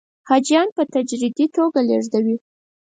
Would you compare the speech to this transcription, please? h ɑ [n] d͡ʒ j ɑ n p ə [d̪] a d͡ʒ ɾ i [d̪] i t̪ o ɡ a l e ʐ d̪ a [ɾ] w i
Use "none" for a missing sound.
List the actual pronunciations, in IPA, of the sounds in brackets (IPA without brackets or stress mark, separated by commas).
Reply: none, t̪, d̪, none